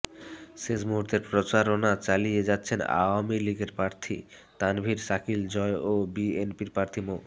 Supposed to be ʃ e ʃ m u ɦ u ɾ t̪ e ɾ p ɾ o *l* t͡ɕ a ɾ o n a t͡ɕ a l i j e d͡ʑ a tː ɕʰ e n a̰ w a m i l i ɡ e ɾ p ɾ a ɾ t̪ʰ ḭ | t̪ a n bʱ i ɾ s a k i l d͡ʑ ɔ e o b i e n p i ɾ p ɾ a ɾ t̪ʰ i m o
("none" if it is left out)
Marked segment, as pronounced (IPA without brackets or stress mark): none